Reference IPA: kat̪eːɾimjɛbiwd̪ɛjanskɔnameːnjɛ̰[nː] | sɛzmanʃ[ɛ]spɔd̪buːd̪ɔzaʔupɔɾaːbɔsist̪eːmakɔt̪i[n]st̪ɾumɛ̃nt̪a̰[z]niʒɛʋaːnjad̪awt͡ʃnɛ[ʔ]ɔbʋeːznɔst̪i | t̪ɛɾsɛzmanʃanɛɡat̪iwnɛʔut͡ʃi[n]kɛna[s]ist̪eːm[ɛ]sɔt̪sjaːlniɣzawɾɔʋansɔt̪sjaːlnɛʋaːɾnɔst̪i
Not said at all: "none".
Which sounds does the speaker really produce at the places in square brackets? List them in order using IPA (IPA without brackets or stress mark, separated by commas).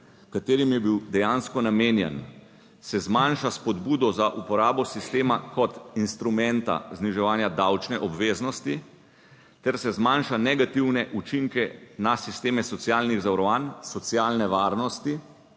n, a, n, z, ʔ, ŋ, s, ɛ